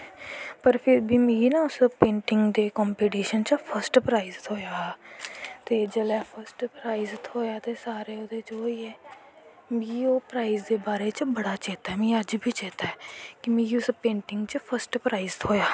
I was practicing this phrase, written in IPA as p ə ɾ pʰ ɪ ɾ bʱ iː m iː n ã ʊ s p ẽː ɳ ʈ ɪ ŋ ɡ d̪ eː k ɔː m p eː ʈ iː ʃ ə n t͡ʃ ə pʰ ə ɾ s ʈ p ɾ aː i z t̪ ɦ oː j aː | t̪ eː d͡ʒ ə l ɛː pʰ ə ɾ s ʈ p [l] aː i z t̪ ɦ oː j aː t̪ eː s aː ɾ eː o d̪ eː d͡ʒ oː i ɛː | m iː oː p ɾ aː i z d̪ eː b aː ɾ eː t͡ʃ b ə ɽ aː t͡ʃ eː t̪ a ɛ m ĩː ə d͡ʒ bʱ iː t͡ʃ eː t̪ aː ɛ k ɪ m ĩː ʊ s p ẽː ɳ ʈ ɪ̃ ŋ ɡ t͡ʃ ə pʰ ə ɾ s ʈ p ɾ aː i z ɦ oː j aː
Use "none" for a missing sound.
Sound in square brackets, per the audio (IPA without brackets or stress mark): ɾ